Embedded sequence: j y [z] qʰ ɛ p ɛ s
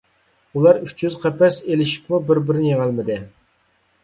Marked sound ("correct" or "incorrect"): correct